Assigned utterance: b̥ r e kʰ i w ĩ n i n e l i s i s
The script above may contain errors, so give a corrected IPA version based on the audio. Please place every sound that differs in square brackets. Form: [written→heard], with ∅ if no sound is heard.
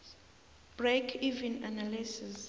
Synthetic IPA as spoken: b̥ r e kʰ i [w→v] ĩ n [i→a] n [e→a] l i s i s

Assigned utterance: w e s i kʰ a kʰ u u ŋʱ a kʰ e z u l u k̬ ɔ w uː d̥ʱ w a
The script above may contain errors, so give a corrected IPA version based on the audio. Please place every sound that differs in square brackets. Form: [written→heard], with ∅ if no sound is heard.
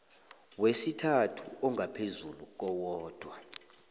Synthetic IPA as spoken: w e s i [kʰ→tʰ] a [kʰ→tʰ] u [u→ɔ] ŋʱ a [kʰ→pʰ] e z u l u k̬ ɔ w [uː→ɔː] d̥ʱ w a

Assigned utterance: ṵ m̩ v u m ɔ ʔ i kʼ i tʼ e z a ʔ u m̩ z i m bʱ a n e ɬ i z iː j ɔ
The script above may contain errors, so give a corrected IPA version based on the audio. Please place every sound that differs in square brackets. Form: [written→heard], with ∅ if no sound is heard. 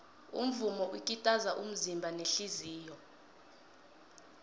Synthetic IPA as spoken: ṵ m̩ v u m ɔ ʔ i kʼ i tʼ [e→a] z a ʔ u m̩ z i m bʱ a n e ɬ i z iː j ɔ

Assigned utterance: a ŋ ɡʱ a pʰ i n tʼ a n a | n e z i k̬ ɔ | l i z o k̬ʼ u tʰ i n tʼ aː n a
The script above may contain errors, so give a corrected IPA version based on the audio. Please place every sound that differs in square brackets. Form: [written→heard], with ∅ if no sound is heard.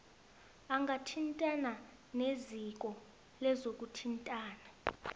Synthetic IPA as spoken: a ŋ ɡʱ a [pʰ→tʰ] i n tʼ a n a | n e z i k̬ ɔ | l [i→ɛ] z o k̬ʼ u tʰ i n tʼ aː n a

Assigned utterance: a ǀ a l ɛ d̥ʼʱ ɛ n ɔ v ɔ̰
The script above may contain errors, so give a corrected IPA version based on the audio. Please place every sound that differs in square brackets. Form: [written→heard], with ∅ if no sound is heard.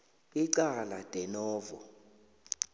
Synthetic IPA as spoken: [a→i] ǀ a l [ɛ→a] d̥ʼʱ ɛ n [ɔ→ɔː] v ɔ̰

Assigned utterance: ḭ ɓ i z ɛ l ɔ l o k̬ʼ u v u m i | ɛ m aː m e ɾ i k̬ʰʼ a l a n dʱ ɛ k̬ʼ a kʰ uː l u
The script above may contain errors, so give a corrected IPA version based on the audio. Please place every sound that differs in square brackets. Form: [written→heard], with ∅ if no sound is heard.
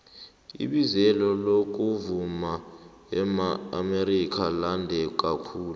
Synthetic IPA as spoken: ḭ ɓ i z ɛ l ɔ l o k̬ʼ u v u m [i→a] | ɛ m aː m e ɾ i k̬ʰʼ a l a n dʱ ɛ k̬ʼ a kʰ uː l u

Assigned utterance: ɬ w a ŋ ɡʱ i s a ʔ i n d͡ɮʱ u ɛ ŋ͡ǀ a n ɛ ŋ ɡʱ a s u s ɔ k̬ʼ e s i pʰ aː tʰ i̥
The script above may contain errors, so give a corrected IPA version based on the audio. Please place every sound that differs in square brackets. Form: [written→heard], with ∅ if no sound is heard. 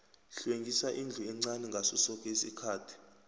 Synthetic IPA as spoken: ɬ w [a→e] ŋ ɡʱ i s a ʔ i n d͡ɮʱ u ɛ ŋ͡ǀ a n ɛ ŋ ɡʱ a s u s ɔ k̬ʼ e s i [pʰ→kʰ] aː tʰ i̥

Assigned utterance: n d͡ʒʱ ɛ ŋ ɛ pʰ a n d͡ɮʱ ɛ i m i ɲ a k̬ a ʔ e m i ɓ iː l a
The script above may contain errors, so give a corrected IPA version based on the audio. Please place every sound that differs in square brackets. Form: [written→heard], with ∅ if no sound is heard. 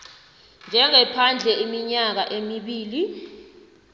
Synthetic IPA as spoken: n d͡ʒʱ ɛ ŋ ɛ pʰ a n d͡ɮʱ ɛ i m i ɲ a k̬ a ʔ e m i ɓ iː l [a→i]

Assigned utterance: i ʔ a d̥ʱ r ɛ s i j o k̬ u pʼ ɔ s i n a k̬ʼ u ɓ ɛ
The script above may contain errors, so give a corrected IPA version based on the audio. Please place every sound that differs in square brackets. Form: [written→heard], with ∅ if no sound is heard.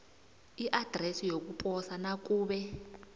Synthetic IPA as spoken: i ʔ a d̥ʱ r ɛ s i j o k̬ u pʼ ɔ s [i→a] n a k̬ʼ [u→uː] ɓ ɛ

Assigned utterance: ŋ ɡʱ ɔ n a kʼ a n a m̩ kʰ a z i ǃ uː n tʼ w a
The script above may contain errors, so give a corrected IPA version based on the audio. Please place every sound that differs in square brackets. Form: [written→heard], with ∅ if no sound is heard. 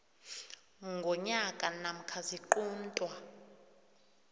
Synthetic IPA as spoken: ŋ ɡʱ ɔ [n→ɲ] a kʼ a n a m̩ kʰ a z i ǃ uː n tʼ w a

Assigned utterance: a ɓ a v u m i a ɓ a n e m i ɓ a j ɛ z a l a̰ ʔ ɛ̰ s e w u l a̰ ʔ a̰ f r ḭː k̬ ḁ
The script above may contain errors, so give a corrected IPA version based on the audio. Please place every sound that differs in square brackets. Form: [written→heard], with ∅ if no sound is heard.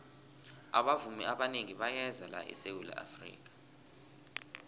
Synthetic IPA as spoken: a ɓ a v u m i a ɓ a n e [m→ŋ] i ɓ a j ɛ z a l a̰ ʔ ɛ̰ s e w u l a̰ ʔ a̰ f r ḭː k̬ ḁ

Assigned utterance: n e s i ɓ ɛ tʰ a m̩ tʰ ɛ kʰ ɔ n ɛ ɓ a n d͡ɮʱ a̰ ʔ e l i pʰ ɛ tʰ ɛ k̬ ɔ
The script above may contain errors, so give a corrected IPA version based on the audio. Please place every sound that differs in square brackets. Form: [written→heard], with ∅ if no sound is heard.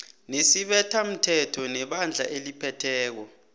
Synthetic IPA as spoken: n e s i ɓ ɛ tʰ a m̩ tʰ ɛ [kʰ→tʰ] ɔ n ɛ ɓ a n d͡ɮʱ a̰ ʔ e l i pʰ ɛ tʰ [ɛ→ɛː] k̬ ɔ

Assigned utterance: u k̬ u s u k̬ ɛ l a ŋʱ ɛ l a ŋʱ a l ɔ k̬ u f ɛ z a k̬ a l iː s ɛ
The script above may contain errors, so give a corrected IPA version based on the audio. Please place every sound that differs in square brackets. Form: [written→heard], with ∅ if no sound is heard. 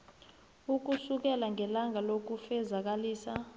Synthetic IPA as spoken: u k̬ u s u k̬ ɛ l a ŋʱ ɛ l a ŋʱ a l [ɔ→o] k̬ u f ɛ z a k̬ a l iː s [ɛ→a]

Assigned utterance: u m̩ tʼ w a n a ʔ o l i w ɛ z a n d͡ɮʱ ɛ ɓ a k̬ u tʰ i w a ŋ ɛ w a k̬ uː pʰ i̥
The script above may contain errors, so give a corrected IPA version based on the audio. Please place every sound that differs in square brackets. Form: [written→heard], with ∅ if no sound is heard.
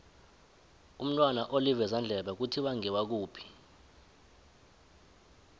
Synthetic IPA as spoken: u m̩ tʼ w a n a ʔ o l i [w→v] ɛ z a n d͡ɮʱ ɛ ɓ a k̬ u tʰ i w a ŋ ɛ w a k̬ uː pʰ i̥

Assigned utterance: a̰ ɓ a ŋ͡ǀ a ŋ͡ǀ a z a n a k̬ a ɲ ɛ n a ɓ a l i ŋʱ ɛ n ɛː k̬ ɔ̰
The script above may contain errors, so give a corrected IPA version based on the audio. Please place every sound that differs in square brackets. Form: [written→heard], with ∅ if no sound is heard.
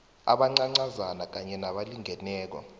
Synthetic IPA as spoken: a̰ ɓ a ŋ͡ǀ a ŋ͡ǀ a z a n a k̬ a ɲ ɛ n a ɓ a l i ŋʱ ɛ n ɛː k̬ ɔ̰

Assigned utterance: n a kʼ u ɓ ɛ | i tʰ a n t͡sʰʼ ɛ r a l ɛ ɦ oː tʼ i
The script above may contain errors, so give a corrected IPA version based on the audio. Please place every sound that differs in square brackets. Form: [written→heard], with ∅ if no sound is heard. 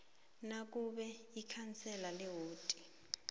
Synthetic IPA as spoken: n a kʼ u ɓ ɛ | i [tʰ→kʰ] a n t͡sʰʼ ɛ [r→l] a l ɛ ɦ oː tʼ i

